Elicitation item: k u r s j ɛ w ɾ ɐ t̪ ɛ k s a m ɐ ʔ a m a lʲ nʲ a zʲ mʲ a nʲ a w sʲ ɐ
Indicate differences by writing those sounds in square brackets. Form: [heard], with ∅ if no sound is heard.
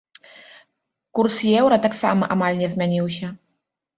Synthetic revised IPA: k u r s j ɛ w ɾ ɐ t̪ [a] k s a m ɐ ʔ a m a lʲ nʲ [ɛ] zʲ mʲ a nʲ [i] w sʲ ɐ